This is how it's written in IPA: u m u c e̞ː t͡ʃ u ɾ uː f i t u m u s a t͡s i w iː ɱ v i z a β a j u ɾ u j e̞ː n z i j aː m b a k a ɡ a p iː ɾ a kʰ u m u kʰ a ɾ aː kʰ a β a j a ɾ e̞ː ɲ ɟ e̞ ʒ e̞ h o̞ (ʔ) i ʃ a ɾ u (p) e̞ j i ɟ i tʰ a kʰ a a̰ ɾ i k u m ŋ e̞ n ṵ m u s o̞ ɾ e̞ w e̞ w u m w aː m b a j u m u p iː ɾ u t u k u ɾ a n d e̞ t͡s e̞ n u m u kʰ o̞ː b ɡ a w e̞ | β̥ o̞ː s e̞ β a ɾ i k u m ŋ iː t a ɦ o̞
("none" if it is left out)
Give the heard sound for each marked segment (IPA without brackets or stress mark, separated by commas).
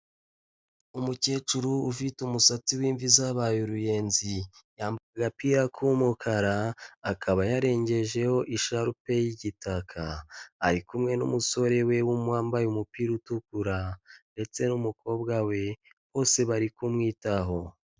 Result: ʔ, p